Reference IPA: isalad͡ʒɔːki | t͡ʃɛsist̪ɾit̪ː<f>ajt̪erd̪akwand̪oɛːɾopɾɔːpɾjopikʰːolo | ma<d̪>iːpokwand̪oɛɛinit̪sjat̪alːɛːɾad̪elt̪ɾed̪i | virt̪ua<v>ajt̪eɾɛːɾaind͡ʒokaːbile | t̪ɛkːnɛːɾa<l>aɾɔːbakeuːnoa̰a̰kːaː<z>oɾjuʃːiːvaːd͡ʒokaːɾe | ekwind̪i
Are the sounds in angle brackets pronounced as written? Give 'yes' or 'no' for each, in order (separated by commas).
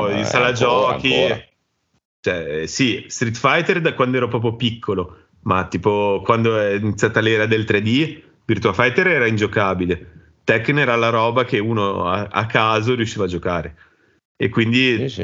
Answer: yes, no, no, yes, yes